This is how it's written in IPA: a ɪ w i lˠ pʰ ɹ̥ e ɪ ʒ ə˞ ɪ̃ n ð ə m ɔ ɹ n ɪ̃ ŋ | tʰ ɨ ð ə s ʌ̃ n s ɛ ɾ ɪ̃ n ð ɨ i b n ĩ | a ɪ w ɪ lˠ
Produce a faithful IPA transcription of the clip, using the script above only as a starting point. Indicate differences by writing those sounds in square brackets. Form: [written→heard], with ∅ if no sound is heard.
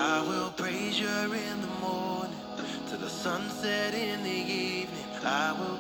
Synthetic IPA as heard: a ɪ w [i→ɪ] lˠ pʰ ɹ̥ e ɪ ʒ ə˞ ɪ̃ n ð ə m ɔ ɹ n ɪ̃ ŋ | tʰ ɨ ð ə s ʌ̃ n s ɛ ɾ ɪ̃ n ð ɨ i [b→v] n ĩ | a ɪ w ɪ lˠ